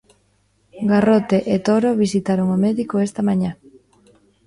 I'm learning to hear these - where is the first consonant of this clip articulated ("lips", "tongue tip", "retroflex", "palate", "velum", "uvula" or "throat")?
velum